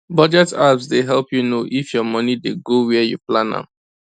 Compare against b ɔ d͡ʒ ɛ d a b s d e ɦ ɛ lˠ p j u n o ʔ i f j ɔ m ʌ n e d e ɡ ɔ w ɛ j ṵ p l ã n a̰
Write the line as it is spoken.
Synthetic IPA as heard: b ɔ d͡ʒ ɛ t a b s d e ɦ ɛ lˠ p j u n o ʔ i f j ɔ m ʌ n i d e ɡ o w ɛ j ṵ p l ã n a̰